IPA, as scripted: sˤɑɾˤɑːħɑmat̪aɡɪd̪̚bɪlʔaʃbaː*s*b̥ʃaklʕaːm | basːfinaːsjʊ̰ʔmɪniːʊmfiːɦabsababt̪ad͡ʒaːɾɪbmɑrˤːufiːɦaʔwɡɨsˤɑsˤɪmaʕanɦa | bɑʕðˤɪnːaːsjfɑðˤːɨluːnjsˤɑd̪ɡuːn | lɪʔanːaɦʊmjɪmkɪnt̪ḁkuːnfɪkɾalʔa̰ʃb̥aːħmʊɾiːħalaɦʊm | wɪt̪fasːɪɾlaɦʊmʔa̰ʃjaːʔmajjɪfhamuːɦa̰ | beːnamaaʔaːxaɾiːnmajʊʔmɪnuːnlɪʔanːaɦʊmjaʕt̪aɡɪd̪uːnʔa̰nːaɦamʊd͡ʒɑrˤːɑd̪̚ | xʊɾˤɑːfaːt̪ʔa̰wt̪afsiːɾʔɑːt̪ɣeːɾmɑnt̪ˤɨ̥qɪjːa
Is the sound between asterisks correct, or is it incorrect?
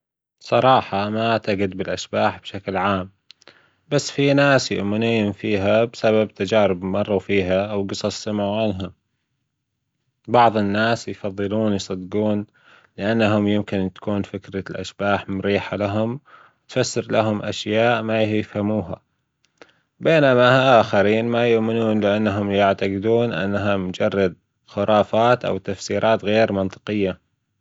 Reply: incorrect